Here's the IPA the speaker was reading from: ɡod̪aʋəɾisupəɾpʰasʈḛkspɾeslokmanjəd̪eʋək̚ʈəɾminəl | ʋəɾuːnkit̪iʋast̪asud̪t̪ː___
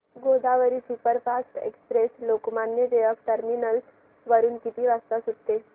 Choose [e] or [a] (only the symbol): e